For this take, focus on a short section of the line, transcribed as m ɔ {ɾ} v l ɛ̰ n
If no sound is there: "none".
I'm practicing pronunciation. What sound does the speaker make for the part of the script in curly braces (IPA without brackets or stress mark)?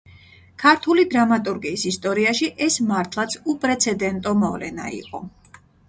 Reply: none